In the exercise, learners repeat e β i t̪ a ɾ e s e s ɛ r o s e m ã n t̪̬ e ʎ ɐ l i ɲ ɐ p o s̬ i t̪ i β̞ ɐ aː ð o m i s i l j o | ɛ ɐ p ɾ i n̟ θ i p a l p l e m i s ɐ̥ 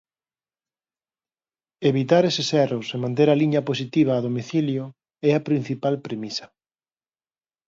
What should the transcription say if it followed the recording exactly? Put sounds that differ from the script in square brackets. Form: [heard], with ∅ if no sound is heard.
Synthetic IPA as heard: e β i t̪ a ɾ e s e s ɛ r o s e m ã n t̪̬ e [ɾ] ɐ l i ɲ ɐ p o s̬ i t̪ i β̞ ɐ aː ð o m i [θ] i l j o | ɛ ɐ p ɾ i n̟ θ i p a l p [ɾ] e m i s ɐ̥

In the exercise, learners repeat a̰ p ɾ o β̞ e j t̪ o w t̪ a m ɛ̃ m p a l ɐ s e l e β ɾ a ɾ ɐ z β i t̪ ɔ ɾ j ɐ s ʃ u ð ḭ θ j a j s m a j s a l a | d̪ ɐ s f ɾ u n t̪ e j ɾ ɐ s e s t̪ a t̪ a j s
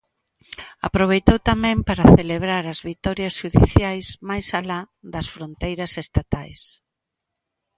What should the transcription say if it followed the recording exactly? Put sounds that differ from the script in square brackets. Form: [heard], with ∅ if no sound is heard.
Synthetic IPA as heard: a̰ p ɾ o β̞ e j t̪ o w t̪ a m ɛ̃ m p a [ɾ] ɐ [θ] e l e β ɾ a ɾ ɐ z β i t̪ ɔ ɾ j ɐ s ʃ u ð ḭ θ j a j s m a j s a l a | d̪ ɐ s f ɾ [o] n t̪ e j ɾ ɐ s e s t̪ a t̪ a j s

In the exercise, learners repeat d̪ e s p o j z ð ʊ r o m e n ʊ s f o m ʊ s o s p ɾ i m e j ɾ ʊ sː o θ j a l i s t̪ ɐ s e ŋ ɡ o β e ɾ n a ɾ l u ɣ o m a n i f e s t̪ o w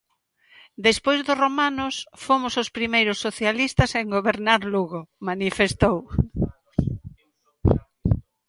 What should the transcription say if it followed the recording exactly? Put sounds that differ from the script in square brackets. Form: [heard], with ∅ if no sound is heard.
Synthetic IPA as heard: d̪ e s p o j z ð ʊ r o m [a] n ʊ s f o m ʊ s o s p ɾ i m e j ɾ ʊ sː o θ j a l i s t̪ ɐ s e ŋ ɡ o β e ɾ n a ɾ l u ɣ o m a n i f e s t̪ o w

